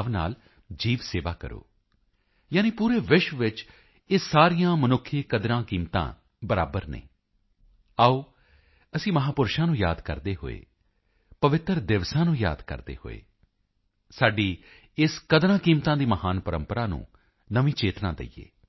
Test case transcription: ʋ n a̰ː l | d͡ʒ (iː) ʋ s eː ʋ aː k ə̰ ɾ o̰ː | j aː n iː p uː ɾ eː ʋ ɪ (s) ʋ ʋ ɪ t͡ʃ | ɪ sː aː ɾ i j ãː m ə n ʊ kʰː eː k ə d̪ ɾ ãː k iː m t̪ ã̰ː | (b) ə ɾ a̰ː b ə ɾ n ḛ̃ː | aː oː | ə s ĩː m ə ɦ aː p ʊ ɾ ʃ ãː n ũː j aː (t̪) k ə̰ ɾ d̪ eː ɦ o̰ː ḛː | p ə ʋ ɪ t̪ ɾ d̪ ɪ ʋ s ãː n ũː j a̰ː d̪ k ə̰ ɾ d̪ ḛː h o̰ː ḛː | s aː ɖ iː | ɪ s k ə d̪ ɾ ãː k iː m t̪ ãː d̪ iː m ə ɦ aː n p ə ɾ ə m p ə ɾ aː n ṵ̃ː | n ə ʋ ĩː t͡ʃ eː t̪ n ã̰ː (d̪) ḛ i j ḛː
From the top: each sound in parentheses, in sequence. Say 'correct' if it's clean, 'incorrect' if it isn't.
correct, incorrect, correct, incorrect, correct

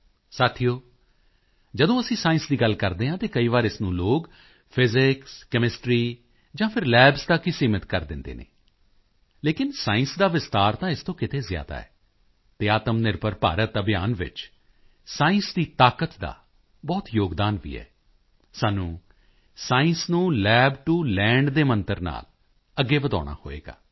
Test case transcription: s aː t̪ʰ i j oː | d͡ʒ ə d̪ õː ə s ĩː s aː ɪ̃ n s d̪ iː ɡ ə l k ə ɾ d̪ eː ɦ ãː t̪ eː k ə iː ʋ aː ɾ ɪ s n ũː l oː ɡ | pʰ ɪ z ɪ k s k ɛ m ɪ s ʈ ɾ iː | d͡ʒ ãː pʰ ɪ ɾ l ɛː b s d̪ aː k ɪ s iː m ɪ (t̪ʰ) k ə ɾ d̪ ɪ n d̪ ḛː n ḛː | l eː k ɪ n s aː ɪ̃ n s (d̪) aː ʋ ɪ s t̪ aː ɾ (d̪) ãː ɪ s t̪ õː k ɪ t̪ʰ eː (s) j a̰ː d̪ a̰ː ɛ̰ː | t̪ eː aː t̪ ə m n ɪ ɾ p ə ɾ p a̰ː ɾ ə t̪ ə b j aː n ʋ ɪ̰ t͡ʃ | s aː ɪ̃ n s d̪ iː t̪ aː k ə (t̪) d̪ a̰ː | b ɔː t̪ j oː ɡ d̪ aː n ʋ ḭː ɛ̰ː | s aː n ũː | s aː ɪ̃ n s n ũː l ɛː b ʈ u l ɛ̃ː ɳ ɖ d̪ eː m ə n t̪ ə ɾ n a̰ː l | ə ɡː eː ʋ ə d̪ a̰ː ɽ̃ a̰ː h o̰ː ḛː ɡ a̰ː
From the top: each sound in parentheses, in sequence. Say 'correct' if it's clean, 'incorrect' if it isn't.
incorrect, correct, incorrect, incorrect, correct

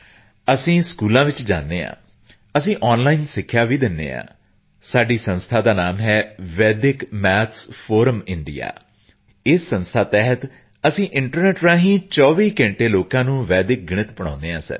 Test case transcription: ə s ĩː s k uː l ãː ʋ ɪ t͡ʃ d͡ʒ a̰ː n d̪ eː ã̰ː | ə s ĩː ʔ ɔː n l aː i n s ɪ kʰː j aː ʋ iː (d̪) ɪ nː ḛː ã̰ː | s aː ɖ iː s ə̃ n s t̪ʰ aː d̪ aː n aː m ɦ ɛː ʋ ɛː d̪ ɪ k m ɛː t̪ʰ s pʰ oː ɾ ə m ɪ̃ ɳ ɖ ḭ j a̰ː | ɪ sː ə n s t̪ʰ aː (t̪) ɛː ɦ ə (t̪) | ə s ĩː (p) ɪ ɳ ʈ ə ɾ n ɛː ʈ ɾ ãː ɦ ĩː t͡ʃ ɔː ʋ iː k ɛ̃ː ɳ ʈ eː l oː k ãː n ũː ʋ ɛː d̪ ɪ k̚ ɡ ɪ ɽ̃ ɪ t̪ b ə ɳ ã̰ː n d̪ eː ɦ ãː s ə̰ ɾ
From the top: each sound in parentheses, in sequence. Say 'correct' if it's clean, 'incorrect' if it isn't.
correct, correct, correct, incorrect

